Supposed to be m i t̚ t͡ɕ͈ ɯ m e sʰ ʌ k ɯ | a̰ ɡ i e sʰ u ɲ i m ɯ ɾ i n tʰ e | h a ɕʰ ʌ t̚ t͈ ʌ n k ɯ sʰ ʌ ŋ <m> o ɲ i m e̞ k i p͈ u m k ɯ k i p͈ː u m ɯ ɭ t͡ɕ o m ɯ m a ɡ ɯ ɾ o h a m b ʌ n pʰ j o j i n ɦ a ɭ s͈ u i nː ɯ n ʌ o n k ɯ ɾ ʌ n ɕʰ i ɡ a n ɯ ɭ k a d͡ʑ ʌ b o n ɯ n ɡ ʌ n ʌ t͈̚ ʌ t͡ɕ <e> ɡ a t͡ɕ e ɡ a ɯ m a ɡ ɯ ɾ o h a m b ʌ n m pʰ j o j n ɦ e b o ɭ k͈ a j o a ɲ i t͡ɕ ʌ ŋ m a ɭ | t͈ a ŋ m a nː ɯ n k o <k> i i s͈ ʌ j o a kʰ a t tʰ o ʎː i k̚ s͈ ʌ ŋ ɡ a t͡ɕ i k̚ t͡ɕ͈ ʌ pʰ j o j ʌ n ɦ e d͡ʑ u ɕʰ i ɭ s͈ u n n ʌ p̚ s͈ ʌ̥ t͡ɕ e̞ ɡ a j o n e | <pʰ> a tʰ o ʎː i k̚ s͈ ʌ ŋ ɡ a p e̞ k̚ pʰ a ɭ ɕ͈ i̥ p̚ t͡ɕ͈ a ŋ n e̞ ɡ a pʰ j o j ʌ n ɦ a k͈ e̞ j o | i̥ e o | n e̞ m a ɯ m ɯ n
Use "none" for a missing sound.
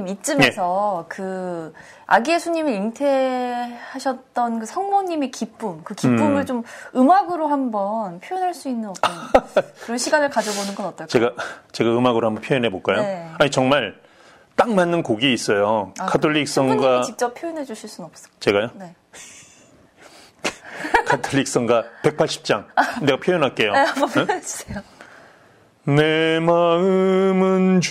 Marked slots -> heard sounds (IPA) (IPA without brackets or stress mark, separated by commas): m, e, ɡ, kʰ